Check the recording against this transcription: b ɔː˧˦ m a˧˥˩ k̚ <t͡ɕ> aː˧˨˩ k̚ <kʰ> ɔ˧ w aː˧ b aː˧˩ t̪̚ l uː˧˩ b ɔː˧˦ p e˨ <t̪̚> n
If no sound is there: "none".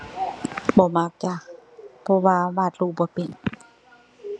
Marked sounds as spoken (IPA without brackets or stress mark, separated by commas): t͡ɕ, pʰ, none